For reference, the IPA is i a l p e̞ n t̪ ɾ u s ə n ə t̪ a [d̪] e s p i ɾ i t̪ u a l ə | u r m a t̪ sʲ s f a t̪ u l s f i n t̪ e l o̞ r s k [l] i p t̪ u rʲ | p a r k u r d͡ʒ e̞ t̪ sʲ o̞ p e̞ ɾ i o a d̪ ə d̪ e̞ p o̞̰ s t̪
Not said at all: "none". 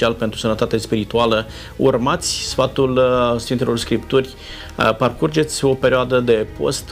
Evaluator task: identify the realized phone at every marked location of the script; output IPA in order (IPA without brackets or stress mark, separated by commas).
t̪, ɾ